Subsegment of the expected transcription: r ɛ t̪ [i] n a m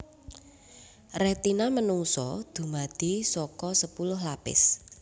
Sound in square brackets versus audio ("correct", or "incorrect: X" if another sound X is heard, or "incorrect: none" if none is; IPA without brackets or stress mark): correct